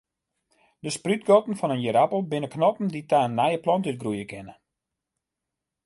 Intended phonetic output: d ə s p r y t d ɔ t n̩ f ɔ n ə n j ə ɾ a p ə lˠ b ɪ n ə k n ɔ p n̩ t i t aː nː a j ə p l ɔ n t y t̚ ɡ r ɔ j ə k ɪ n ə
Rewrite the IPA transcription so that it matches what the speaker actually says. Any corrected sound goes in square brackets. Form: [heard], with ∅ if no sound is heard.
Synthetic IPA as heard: d ə s p r y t [ɡ] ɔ t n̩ f ɔ n ə n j ə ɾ a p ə lˠ b ɪ n ə k n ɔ p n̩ [d] i t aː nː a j ə p l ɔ n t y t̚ ɡ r [u] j ə k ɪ n ə